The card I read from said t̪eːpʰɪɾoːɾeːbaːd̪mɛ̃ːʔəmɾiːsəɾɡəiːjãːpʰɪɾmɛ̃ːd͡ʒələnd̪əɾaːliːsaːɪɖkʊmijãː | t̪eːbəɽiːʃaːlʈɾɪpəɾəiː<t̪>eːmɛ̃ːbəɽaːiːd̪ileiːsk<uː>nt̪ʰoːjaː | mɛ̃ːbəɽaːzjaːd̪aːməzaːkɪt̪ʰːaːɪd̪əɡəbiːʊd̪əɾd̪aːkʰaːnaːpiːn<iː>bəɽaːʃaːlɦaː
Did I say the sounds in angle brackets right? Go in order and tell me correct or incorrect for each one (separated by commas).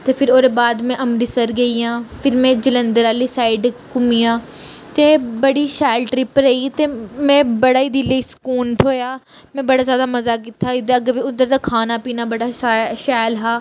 correct, correct, incorrect